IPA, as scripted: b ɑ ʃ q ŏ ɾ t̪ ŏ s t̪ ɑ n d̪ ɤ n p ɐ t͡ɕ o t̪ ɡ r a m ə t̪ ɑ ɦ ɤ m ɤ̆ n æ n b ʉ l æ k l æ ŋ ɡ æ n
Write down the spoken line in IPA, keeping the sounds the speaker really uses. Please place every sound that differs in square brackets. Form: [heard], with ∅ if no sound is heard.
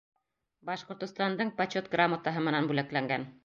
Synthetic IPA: b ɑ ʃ q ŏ ɾ t̪ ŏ s t̪ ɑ n d̪ ɤ [ɴ] p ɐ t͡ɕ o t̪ ɡ r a m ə t̪ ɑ ɦ ɤ m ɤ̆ n æ n b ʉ l æ k l æ ŋ ɡ æ n